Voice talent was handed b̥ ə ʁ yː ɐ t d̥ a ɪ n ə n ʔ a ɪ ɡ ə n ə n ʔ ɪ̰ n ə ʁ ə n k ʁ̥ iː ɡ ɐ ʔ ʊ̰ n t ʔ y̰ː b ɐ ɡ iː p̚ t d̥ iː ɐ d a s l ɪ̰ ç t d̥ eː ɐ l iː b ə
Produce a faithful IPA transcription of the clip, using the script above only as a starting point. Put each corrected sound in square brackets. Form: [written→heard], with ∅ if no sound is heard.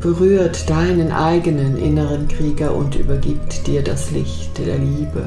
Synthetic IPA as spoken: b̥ ə ʁ yː ɐ t d̥ a ɪ n ə n ʔ a ɪ ɡ ə n ə n ʔ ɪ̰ n ə ʁ ə n k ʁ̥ iː ɡ ɐ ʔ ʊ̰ n t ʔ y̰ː b ɐ ɡ iː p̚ t d̥ iː ɐ d a s l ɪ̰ ç t d̥ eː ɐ l iː b ə